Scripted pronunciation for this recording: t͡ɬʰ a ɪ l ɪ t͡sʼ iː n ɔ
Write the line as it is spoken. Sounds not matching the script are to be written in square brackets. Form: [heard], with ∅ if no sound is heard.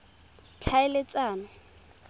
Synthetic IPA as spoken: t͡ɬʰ a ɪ l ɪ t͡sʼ [aː] n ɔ